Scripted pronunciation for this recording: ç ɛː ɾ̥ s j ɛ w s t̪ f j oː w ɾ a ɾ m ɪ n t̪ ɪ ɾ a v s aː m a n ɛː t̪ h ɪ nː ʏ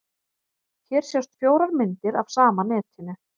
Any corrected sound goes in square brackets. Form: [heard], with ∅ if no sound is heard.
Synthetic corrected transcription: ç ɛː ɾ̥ s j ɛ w s t̪ f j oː w ɾ a ɾ m ɪ n t̪ ɪ ɾ a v s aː m a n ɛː t̪ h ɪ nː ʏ

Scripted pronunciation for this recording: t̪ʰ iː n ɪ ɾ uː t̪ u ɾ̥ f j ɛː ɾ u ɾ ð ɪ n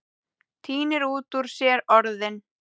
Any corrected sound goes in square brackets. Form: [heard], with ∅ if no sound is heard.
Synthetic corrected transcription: t̪ʰ iː n ɪ ɾ uː t̪ u ɾ̥ [s] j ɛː ɾ [ɔ] ɾ ð ɪ n

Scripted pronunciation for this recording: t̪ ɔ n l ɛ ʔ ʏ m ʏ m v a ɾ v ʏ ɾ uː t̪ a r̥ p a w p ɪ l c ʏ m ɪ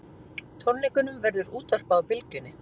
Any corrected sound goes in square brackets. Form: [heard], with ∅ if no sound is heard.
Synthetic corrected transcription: [t̪ʰ] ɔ n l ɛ [k] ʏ [n] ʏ m v [ɛ] ɾ [ð] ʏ ɾ uː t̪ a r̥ p a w p ɪ l c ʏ [n] ɪ

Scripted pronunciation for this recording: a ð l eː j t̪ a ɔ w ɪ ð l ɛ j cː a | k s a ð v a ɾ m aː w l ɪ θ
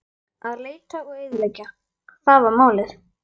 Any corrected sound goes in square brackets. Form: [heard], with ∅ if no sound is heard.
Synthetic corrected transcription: a ð l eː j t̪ a ɔ [ɣ] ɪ ð l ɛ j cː a | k [θ] a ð v a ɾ m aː w l ɪ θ

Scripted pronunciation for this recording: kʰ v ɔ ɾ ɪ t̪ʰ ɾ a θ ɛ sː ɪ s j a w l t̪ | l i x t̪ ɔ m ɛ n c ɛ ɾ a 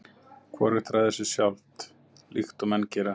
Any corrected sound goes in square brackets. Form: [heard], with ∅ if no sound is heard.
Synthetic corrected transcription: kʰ v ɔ ɾ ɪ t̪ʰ ɾ a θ ɛ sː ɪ s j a w l t̪ | l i x t̪ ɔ m ɛ n c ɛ ɾ a

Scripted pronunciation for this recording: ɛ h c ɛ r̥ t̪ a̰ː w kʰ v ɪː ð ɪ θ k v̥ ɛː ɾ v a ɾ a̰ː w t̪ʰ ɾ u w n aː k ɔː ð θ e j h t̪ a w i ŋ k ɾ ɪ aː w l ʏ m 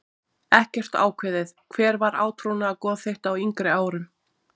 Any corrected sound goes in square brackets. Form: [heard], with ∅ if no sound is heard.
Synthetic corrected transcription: ɛ h c ɛ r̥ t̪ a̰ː w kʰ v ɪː ð ɪ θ [kʰ] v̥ ɛː ɾ v a ɾ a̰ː w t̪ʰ ɾ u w n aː k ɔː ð θ e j h t̪ a w i ŋ k ɾ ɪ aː w [ɾ] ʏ m

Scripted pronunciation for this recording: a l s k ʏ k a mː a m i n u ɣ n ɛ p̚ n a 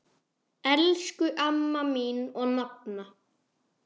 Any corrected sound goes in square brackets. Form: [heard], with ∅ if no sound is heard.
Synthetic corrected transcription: [ɛ] l s k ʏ [ʔ] a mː a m i n [ɔ] ɣ n [a] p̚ n a

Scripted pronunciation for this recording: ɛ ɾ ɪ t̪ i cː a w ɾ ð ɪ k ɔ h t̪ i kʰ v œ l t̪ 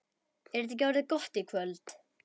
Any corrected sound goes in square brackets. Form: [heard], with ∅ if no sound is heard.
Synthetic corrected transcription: ɛ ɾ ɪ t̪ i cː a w ɾ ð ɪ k ɔ h t̪ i kʰ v œ l t̪

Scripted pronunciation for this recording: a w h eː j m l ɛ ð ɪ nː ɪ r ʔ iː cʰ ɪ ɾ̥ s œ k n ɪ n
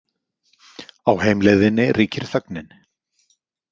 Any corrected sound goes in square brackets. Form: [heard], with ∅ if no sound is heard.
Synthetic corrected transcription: a w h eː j m l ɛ ð ɪ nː ɪ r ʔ iː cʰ ɪ ɾ̥ [θ] œ k n ɪ n

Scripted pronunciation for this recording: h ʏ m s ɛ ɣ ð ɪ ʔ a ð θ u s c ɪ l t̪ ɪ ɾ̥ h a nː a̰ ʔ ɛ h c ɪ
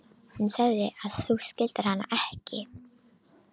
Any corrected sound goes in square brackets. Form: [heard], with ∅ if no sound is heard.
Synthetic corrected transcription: h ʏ [n] s ɛ ɣ ð ɪ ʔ a ð θ u s c ɪ l t̪ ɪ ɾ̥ h a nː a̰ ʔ ɛ h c ɪ

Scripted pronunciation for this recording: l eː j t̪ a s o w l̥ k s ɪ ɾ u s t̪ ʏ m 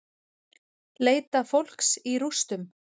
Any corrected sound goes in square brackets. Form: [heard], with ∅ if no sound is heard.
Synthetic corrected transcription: l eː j t̪ a [f] o w l̥ k s [i] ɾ u s t̪ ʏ m

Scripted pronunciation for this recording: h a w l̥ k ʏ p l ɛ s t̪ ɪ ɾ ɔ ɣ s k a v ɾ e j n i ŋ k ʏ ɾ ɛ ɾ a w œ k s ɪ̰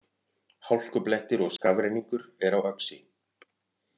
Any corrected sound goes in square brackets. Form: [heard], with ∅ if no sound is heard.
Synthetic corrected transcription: h a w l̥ k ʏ p l ɛ [h] t̪ ɪ ɾ ɔ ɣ s k a v ɾ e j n i ŋ k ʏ ɾ ɛ ɾ a w œ k s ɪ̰

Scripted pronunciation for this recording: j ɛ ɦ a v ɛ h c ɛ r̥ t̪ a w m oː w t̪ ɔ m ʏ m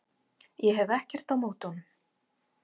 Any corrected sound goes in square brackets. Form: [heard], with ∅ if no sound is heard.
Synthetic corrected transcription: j ɛ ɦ [ɛ] v ɛ h c ɛ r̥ t̪ a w m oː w t̪ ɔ [n] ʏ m

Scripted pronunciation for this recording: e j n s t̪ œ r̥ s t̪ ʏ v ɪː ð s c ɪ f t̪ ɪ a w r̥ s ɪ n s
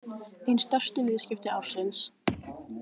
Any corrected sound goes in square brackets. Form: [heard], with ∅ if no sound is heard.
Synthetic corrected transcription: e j n s t̪ œ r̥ s t̪ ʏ v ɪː ð s c ɪ f t̪ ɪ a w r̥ s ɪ n s

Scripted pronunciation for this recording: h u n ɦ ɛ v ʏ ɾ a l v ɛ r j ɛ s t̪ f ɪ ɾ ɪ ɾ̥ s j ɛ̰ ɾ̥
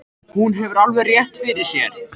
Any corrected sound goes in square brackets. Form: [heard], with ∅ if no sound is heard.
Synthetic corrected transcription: h u n ɦ ɛ v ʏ ɾ a l v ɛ r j ɛ [h] t̪ f ɪ ɾ ɪ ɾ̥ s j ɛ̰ ɾ̥

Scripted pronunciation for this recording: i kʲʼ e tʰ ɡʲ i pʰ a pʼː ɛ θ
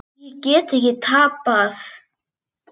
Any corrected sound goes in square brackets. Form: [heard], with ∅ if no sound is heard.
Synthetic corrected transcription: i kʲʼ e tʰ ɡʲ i [tʰ] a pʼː [a] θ

